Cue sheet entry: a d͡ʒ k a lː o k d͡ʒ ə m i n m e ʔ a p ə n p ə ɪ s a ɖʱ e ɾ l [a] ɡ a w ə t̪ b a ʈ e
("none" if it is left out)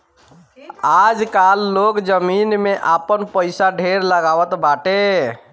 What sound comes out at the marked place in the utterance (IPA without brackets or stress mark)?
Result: ə